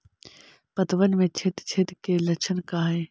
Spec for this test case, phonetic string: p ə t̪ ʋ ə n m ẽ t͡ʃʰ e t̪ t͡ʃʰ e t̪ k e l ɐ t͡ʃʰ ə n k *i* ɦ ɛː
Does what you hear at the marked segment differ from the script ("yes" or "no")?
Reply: yes